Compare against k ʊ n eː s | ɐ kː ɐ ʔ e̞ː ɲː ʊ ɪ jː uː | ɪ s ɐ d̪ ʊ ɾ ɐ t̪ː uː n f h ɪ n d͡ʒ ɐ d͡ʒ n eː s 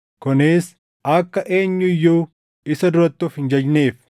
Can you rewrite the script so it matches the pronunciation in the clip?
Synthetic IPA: k ʊ n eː s | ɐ kː ɐ ʔ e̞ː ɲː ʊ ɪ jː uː | ɪ s ɐ d̪ ʊ ɾ ɐ t̪ː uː f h ɪ n d͡ʒ ɐ d͡ʒ n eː f